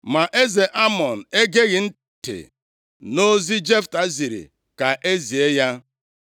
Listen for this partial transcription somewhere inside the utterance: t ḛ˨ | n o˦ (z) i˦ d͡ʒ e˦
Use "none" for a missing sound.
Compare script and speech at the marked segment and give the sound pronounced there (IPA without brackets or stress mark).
z